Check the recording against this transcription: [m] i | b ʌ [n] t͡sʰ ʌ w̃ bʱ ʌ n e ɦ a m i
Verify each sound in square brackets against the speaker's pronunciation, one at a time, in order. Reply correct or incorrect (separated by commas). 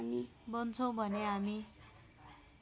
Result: correct, correct